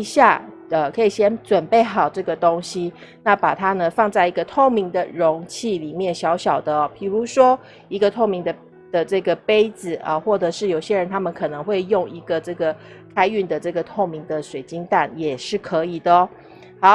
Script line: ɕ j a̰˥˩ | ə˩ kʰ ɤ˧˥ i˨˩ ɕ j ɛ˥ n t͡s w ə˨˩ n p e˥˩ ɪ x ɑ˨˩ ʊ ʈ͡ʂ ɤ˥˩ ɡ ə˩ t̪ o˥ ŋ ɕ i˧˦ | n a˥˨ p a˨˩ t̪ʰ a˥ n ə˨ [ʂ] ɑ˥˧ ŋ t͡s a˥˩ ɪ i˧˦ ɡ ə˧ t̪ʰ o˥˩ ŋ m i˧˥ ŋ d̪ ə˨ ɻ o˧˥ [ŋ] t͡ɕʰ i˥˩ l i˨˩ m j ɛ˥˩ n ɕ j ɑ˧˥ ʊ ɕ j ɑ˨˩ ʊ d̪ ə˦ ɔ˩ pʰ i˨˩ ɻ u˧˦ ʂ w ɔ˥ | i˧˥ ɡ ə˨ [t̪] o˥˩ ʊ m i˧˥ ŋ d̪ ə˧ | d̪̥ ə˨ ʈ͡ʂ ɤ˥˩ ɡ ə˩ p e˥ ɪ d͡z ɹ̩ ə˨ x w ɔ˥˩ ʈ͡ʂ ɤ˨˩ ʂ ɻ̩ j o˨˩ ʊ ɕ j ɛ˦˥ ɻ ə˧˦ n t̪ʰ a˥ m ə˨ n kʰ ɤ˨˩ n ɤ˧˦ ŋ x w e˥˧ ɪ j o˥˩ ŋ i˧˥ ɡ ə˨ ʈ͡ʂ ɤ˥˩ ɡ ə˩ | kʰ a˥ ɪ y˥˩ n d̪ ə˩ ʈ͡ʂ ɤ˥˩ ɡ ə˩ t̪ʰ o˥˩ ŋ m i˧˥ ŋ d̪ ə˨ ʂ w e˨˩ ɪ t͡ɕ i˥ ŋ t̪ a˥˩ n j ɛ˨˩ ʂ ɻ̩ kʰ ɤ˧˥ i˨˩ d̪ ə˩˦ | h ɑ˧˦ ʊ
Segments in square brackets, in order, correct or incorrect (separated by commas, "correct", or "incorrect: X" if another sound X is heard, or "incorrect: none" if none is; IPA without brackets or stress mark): incorrect: f, correct, incorrect: t̪ʰ